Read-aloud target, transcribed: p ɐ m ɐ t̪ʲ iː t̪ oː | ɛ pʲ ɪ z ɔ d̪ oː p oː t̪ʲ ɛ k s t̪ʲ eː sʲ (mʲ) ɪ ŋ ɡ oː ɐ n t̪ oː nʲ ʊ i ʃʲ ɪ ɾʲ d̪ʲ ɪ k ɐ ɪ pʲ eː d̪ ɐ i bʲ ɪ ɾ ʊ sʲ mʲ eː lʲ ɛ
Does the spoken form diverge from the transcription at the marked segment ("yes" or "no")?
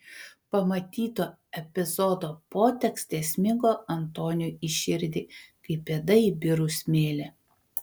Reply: no